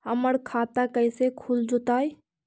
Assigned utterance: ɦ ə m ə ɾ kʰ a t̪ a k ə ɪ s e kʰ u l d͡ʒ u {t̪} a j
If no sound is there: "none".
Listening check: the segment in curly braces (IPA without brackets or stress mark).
t̪